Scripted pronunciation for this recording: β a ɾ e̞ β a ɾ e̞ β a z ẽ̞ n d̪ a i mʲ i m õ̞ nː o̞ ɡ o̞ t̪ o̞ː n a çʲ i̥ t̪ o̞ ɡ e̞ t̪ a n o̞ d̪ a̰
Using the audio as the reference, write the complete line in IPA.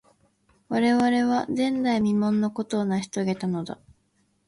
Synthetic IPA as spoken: β a ɾ e̞ β a ɾ e̞ β a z ẽ̞ n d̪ a i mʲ i m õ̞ nː o̞ k o̞ t̪ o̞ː n a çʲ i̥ t̪ o̞ ɡ e̞ t̪ a n o̞ d̪ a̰